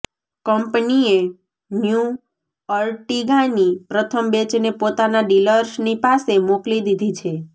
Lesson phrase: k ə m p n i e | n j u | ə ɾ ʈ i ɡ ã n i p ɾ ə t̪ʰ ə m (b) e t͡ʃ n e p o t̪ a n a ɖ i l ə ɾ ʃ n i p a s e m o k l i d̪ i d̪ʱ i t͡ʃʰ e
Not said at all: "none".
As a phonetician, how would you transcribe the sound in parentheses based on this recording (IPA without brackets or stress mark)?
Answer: b